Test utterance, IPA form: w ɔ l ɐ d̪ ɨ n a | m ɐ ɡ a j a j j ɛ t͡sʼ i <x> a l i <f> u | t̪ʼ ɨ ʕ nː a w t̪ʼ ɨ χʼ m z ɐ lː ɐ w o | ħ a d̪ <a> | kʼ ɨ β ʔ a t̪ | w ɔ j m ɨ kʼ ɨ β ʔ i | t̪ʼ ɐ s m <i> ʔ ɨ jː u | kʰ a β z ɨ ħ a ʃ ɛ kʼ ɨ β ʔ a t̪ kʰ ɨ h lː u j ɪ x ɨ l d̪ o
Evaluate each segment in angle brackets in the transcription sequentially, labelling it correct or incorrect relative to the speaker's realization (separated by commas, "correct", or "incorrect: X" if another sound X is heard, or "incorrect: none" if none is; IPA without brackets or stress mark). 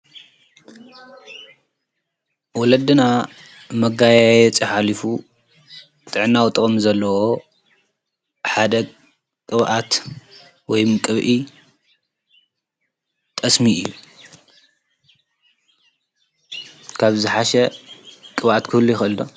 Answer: incorrect: ħ, correct, incorrect: ɐ, correct